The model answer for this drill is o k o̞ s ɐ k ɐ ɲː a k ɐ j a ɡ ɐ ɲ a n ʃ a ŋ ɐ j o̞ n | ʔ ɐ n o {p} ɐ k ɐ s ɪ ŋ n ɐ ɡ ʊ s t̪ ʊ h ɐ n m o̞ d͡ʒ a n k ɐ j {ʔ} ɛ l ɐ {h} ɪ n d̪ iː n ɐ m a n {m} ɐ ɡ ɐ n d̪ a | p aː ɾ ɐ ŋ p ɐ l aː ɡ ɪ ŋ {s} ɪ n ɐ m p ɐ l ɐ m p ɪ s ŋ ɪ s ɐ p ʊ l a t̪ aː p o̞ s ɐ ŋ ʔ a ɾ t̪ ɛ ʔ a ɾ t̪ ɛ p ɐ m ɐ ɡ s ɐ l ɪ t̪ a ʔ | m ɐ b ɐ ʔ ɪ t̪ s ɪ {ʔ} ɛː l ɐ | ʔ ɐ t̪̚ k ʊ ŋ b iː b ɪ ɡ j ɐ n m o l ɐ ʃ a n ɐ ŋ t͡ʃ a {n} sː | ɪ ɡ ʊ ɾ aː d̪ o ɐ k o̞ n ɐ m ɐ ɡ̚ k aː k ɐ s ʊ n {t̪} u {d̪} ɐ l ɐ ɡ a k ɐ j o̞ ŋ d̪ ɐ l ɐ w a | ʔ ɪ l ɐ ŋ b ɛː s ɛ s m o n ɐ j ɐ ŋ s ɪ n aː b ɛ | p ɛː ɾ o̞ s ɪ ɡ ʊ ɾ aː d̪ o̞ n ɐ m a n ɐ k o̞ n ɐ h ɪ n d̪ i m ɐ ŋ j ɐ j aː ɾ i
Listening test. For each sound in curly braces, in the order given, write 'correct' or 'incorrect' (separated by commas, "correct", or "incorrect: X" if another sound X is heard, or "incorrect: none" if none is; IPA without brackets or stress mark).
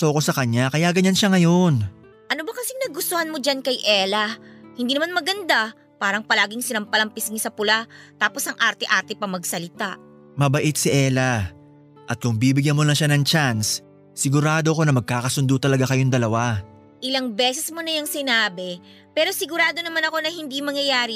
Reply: incorrect: b, correct, correct, correct, correct, correct, correct, incorrect: d̪, incorrect: t̪